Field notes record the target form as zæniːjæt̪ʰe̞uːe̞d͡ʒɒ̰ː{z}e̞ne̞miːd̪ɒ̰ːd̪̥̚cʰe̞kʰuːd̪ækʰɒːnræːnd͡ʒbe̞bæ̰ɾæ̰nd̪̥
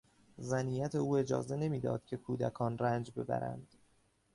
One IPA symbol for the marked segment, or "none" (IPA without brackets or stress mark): z